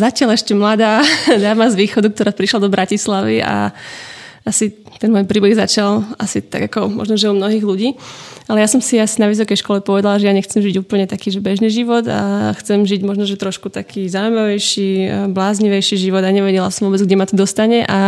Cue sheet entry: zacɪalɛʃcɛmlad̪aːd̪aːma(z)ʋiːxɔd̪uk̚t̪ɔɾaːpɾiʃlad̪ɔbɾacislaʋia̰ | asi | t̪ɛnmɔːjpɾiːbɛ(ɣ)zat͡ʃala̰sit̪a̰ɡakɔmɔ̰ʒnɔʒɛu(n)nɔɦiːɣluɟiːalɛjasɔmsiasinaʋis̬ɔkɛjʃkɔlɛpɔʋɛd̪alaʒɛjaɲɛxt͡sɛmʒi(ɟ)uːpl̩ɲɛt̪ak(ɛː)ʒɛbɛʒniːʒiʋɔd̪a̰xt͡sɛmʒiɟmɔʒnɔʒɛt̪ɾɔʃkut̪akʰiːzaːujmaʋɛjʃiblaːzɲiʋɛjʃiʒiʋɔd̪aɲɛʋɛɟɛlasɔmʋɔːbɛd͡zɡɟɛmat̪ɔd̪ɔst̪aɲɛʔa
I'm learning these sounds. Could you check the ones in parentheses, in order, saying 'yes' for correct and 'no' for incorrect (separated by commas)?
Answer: yes, yes, no, yes, no